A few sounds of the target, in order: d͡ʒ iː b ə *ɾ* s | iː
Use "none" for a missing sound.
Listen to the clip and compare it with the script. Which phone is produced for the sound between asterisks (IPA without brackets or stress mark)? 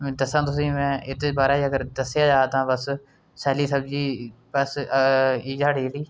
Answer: none